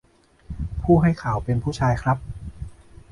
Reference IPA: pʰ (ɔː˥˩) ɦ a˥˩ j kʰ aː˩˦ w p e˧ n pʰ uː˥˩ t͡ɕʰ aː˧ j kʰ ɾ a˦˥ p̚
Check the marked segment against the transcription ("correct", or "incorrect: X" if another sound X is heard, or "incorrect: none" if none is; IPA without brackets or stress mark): incorrect: uː˥˩